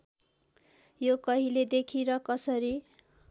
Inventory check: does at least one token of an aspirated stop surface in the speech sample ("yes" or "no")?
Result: yes